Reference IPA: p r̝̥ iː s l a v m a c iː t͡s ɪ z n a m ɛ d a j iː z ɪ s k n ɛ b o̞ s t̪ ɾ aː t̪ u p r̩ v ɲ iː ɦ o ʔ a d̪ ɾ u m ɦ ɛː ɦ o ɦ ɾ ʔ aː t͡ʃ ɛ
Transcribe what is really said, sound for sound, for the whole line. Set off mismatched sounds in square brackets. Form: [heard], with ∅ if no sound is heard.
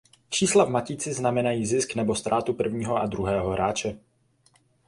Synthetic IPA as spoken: p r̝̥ iː s l a v m a c iː t͡s ɪ z n a m ɛ [n] a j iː z ɪ s k n ɛ b o̞ s t̪ ɾ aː t̪ u p r̩ v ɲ iː ɦ o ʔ a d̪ ɾ u [∅] ɦ ɛː ɦ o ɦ ɾ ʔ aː t͡ʃ ɛ